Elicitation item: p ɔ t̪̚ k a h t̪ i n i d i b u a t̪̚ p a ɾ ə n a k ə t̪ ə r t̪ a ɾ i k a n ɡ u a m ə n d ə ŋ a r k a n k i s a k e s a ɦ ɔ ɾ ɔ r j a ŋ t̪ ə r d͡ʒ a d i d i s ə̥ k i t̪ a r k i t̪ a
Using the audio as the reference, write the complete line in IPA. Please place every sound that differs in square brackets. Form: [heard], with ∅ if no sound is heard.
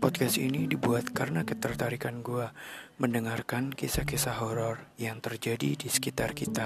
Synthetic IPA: p ɔ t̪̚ k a [s] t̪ i n i d i b u a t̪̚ [k] a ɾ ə n a k ə t̪ ə r t̪ a ɾ i k a n ɡ u a m ə n d ə ŋ a r k a n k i s a k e s a ɦ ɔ ɾ ɔ r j a ŋ t̪ ə r d͡ʒ a d i d i s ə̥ k i t̪ a r k i t̪ a